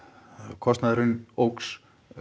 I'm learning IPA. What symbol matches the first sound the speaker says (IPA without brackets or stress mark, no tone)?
kʰ